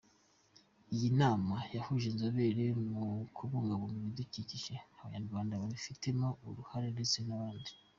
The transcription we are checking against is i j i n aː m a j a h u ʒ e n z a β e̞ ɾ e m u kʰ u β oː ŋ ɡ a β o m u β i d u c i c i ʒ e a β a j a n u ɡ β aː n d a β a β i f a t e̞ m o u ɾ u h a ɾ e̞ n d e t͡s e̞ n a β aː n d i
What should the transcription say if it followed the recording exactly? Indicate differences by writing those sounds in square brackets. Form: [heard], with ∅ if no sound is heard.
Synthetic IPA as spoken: i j i n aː m a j a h u ʒ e n z a β e̞ ɾ e m u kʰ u β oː ŋ ɡ a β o m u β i d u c i c i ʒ e a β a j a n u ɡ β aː n d a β a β i f [i] t e̞ m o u ɾ u h a ɾ e̞ n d e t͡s e̞ n a β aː n d i